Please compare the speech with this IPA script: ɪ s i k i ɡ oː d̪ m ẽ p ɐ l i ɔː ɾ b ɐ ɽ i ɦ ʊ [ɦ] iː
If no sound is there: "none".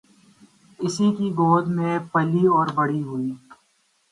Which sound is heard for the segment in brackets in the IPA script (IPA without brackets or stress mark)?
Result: none